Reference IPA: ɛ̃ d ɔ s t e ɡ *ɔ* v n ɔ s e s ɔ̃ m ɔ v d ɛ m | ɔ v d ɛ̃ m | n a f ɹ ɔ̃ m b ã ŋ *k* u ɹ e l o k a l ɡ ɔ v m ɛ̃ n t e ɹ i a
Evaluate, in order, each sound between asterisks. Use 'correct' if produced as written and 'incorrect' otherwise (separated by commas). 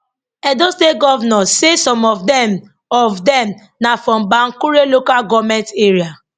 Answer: correct, correct